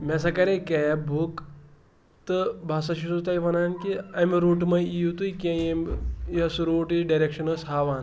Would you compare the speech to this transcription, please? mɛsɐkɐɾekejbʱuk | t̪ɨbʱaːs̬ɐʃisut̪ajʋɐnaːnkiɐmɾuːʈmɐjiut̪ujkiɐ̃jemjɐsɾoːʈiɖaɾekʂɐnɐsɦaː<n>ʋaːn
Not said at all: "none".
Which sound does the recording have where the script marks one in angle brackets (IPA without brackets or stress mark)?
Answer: none